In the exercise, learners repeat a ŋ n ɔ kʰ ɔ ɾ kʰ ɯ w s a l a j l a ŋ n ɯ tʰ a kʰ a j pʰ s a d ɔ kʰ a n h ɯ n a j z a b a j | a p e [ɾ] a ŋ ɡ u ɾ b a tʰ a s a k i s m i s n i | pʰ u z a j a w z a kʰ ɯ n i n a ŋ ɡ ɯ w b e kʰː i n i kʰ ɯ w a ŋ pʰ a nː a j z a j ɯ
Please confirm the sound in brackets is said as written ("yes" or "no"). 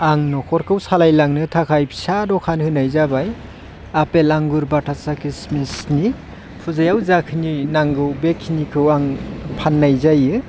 no